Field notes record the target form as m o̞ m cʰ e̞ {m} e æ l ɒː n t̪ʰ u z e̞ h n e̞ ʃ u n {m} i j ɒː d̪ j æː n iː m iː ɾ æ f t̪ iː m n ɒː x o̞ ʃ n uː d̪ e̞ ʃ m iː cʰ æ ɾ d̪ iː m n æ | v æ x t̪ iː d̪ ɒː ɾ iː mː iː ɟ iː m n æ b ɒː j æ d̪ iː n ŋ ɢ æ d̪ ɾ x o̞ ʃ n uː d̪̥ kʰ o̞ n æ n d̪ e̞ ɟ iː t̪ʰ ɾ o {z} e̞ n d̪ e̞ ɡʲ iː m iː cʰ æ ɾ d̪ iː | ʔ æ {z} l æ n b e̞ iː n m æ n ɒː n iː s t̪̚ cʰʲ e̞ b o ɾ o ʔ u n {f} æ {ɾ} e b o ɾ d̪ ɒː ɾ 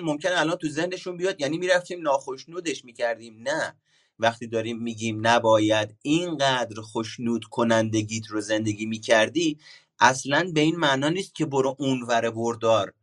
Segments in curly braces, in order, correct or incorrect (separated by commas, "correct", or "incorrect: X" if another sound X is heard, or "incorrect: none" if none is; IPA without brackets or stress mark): incorrect: n, incorrect: b, correct, incorrect: s, incorrect: v, correct